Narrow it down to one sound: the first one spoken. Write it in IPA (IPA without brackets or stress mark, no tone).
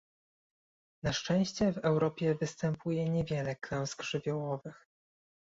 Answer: n